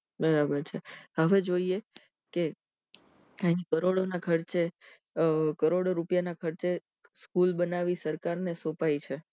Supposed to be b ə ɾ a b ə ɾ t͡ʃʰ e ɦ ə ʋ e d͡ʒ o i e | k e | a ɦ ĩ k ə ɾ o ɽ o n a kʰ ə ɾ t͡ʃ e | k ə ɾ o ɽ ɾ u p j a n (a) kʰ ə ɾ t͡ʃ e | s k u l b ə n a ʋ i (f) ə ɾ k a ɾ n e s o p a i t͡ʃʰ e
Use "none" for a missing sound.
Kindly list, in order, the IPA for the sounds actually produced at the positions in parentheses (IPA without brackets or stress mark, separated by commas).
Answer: a, s